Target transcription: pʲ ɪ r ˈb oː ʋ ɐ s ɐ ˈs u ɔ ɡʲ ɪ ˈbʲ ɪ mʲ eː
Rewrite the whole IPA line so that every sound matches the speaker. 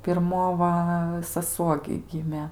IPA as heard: pʲ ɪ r ˈm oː ʋ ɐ s ɐ ˈs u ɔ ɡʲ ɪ ˈɡʲ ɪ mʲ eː